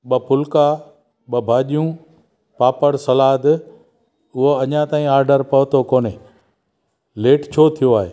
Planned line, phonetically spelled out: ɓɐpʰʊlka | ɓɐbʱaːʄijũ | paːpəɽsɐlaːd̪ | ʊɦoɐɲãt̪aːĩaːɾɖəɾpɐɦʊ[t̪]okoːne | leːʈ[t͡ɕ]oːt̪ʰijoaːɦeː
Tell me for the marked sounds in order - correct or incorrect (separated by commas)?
correct, incorrect